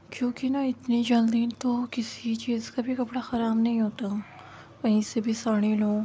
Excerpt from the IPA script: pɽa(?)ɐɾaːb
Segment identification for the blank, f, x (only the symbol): x